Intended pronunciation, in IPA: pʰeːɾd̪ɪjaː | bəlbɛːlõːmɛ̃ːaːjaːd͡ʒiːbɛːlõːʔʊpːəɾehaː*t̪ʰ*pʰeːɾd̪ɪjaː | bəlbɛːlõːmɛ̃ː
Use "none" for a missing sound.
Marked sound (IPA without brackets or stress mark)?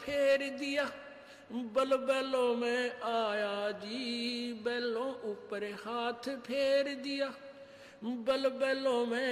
t̪ʰ